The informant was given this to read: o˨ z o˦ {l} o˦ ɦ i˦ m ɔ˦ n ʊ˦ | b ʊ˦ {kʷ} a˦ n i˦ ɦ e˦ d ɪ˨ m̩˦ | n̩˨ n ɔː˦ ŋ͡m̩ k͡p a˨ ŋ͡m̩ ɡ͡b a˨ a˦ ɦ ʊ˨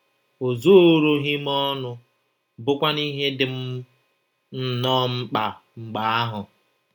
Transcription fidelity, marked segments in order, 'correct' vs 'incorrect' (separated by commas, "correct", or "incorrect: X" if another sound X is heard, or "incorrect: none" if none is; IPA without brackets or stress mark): incorrect: ɾ, correct